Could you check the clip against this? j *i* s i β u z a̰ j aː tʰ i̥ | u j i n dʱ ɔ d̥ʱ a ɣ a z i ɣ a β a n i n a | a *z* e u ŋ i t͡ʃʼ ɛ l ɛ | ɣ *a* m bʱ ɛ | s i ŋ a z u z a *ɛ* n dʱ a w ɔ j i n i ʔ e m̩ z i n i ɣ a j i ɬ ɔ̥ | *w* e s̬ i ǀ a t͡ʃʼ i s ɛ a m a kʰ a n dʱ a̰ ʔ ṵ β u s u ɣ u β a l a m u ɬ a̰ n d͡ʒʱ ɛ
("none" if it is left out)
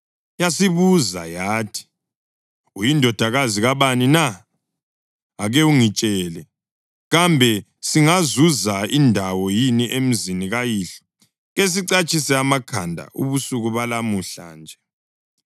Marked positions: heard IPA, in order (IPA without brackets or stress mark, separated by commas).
a, ɣ, a, i, ɣ